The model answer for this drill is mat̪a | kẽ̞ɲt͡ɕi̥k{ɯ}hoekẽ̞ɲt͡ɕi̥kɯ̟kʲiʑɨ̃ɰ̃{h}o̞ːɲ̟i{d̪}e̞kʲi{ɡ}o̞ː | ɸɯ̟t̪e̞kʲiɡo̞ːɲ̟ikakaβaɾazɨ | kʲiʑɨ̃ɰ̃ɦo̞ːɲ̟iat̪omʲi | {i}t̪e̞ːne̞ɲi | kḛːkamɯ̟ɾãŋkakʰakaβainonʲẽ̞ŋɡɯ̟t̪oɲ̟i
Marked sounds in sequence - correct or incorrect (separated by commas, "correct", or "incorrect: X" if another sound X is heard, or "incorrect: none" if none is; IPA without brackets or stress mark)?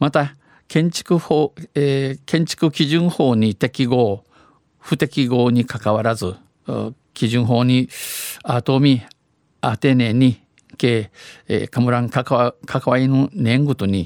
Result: correct, correct, incorrect: t̪, correct, incorrect: a